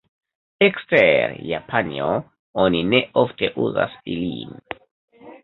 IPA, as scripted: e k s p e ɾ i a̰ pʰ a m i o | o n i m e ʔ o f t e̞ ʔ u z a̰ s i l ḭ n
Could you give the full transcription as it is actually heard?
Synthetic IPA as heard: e k s t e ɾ j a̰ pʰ a n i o | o n i n e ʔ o f t e̞ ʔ u z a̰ s i l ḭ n